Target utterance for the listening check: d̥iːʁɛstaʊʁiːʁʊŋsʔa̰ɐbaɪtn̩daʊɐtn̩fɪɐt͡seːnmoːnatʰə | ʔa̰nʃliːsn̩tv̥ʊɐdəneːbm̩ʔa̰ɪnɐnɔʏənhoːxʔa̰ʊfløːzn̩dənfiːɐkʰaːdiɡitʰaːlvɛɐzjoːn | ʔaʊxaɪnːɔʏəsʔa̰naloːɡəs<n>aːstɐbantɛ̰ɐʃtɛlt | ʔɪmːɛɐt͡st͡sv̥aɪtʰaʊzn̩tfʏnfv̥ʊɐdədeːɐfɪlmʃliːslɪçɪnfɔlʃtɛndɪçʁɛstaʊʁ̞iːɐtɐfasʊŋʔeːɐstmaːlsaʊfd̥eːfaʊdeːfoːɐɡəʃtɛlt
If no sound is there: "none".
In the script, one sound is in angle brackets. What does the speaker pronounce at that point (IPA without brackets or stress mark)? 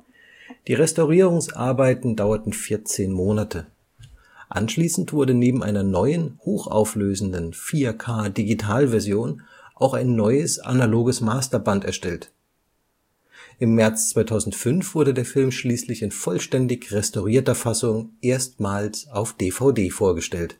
m